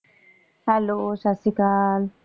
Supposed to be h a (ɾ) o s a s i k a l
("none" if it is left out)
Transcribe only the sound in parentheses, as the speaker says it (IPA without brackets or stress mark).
l